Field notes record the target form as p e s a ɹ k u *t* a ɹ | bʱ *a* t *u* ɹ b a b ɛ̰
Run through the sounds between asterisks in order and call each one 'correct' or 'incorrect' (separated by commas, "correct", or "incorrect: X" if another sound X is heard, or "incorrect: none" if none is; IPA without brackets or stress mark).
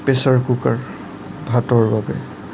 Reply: incorrect: k, correct, incorrect: ɔ